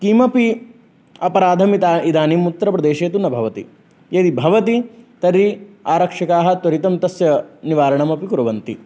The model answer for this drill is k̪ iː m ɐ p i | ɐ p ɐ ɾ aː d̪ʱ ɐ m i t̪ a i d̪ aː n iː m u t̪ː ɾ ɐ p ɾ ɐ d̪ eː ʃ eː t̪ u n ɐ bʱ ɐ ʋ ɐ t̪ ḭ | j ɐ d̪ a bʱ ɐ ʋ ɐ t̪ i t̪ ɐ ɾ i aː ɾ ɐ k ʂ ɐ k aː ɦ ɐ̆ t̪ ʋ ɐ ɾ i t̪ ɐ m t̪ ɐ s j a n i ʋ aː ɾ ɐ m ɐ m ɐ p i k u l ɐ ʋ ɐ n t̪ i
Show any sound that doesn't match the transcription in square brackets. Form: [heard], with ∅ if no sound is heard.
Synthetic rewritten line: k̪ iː m ɐ p i | ɐ p ɐ ɾ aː d̪ʱ ɐ m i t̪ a i d̪ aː n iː m u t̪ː ɾ ɐ p ɾ ɐ d̪ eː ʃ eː t̪ u n ɐ bʱ ɐ ʋ ɐ t̪ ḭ | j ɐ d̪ [i] bʱ ɐ ʋ ɐ t̪ i t̪ ɐ ɾ i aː ɾ ɐ k ʂ ɐ k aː ɦ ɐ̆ t̪ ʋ ɐ ɾ i t̪ ɐ m t̪ ɐ s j [ɐ] n i ʋ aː ɾ ɐ [ɳ] ɐ m ɐ p i k u [ɾ] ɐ ʋ ɐ n t̪ i

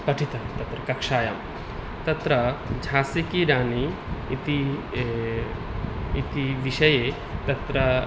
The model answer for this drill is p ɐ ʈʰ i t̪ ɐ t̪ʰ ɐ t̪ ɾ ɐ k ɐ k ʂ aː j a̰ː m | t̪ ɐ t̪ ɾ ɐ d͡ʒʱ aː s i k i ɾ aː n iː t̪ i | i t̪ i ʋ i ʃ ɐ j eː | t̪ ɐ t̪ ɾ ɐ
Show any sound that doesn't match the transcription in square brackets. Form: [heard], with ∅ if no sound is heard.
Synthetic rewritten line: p ɐ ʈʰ i t̪ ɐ [t̪] ɐ t̪ ɾ ɐ k ɐ k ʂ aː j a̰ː m | t̪ ɐ t̪ ɾ ɐ d͡ʒʱ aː s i k i ɾ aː n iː t̪ i | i t̪ i ʋ i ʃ ɐ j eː | t̪ ɐ t̪ ɾ ɐ

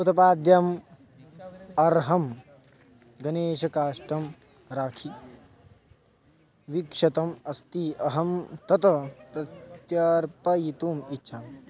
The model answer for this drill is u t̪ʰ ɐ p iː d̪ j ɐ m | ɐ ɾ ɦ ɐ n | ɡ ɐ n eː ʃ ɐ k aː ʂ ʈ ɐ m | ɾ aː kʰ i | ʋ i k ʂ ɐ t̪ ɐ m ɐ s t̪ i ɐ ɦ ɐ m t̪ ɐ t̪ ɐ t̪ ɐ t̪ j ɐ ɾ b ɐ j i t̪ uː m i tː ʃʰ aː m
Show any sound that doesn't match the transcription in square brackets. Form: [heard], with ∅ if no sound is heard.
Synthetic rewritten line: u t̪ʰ ɐ p [aː] d̪ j ɐ m | ɐ ɾ ɦ ɐ [m] | ɡ ɐ n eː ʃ ɐ k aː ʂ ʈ ɐ m | ɾ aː kʰ i | ʋ i k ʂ ɐ t̪ ɐ m ɐ s t̪ i ɐ ɦ ɐ m t̪ ɐ t̪ ɐ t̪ ɐ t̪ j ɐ ɾ [p] ɐ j i t̪ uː m i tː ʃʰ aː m

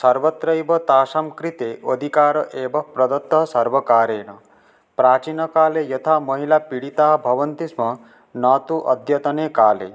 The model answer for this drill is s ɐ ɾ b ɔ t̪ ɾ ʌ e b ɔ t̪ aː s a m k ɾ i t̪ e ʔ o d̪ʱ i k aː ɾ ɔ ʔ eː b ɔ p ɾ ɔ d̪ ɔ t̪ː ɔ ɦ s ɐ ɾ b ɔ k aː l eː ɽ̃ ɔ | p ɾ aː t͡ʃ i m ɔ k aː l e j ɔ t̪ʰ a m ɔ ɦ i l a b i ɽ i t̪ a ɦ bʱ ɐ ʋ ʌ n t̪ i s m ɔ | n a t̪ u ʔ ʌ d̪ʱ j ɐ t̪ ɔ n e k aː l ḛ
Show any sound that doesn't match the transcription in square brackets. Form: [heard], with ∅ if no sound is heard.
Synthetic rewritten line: s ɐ ɾ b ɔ t̪ ɾ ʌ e b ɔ t̪ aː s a m k ɾ i t̪ e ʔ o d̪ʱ i k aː ɾ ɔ ʔ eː b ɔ p ɾ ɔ d̪ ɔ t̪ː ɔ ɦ s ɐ ɾ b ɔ k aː [ɾ] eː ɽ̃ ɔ | p ɾ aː t͡ʃ i [n] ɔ k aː l e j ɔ t̪ʰ a m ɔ ɦ i l a [p] i ɽ i t̪ a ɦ bʱ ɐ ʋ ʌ n t̪ i s m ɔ | n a t̪ u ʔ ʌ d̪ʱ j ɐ t̪ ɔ n e k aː l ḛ

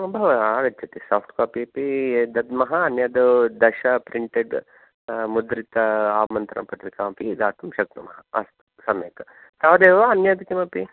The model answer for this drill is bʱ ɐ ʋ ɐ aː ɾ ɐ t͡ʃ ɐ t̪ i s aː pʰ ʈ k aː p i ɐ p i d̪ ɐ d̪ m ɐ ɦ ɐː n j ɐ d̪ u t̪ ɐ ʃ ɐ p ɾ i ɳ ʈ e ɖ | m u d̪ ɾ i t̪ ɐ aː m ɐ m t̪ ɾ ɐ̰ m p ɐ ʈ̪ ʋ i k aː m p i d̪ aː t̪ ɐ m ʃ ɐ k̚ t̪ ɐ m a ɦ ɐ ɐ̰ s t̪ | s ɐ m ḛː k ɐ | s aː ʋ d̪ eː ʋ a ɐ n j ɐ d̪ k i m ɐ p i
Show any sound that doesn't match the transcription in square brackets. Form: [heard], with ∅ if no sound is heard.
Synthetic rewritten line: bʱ ɐ ʋ ɐ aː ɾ ɐ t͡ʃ ɐ t̪ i s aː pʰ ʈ k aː p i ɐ p i d̪ ɐ d̪ m ɐ ɦ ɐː n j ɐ d̪ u [d̪] ɐ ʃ ɐ p ɾ i ɳ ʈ e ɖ | m u d̪ ɾ i t̪ ɐ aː m ɐ [n] t̪ ɾ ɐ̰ m p ɐ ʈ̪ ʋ i k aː m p i d̪ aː t̪ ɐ m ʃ ɐ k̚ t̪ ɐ m [ɐ] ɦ ɐ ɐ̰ s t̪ | s ɐ m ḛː k ɐ | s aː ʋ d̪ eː ʋ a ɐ n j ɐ d̪ k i m ɐ p i

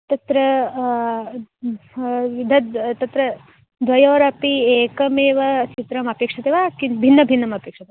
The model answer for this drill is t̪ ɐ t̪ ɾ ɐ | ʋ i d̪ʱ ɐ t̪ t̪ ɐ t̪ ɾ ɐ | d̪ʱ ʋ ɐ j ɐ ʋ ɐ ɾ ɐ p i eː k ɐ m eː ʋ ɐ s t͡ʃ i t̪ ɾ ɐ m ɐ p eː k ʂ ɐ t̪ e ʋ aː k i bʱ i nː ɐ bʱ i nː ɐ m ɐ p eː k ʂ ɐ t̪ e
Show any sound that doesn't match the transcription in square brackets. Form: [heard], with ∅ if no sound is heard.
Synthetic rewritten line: t̪ ɐ t̪ ɾ ɐ | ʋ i d̪ʱ ɐ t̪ t̪ ɐ t̪ ɾ ɐ | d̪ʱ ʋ ɐ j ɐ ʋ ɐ ɾ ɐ p i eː k ɐ m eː ʋ ɐ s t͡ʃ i t̪ ɾ ɐ m ɐ p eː k ʂ ɐ t̪ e ʋ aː k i bʱ i nː ɐ bʱ i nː ɐ m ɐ p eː k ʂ ɐ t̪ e

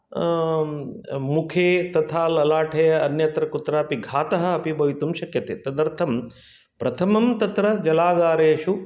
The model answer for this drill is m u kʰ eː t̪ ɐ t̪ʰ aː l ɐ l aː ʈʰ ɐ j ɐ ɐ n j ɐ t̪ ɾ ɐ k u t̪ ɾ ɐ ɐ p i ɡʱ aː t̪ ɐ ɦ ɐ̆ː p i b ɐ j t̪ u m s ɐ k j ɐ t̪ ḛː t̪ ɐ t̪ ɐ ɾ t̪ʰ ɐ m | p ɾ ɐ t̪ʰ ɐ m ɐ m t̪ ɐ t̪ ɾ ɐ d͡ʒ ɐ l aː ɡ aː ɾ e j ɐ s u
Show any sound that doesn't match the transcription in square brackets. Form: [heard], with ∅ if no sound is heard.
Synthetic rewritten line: m u kʰ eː t̪ ɐ t̪ʰ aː l ɐ l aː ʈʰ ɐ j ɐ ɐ n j ɐ t̪ ɾ ɐ k u t̪ ɾ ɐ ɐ p i ɡʱ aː t̪ ɐ ɦ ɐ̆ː p i b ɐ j t̪ u m [ʃ] ɐ k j ɐ t̪ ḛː t̪ ɐ [d̪] ɐ ɾ t̪ʰ ɐ m | p ɾ ɐ t̪ʰ ɐ m ɐ m t̪ ɐ t̪ ɾ ɐ d͡ʒ ɐ l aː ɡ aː ɾ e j ɐ [ʃ] u

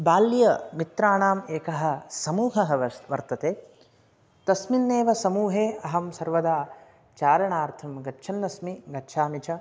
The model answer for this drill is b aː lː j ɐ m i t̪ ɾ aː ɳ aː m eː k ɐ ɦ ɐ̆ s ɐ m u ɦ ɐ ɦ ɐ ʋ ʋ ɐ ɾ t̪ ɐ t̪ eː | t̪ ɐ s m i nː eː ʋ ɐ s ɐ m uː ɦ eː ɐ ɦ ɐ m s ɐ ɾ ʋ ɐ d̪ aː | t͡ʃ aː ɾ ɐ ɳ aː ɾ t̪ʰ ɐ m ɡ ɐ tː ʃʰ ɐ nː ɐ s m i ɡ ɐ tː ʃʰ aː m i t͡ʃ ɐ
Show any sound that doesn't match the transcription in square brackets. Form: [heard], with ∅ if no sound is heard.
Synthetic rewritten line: b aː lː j ɐ m i t̪ ɾ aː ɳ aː m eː k ɐ ɦ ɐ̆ s ɐ m [uː] ɦ ɐ ɦ ɐ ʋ ʋ ɐ ɾ t̪ ɐ t̪ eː | t̪ ɐ s m i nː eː ʋ ɐ s ɐ m uː ɦ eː ɐ ɦ ɐ m s ɐ ɾ ʋ ɐ d̪ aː | t͡ʃ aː ɾ ɐ ɳ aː ɾ t̪ʰ ɐ m ɡ ɐ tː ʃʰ ɐ nː ɐ s m i ɡ ɐ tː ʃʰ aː m i t͡ʃ ɐ

